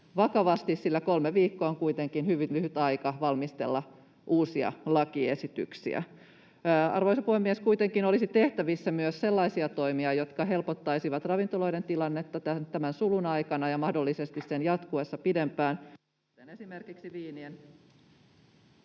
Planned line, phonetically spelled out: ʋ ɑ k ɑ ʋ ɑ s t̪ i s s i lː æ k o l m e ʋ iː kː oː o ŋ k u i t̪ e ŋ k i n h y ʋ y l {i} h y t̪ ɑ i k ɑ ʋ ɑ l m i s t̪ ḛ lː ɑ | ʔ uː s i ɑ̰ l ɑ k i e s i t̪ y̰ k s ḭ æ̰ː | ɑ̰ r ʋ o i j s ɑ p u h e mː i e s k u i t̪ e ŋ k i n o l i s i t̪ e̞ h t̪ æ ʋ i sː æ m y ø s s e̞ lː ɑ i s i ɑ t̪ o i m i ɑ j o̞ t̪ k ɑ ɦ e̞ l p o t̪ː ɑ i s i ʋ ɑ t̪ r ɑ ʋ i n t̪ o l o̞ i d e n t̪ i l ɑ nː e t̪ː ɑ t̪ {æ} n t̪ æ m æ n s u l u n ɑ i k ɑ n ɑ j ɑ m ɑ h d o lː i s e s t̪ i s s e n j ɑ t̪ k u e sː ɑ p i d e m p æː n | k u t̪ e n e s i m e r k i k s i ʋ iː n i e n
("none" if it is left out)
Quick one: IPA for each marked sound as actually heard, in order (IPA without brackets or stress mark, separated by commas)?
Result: y, æ